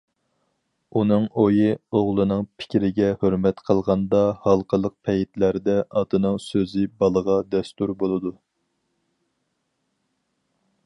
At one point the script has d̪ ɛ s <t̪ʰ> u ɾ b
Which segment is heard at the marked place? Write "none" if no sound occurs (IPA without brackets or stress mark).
t̪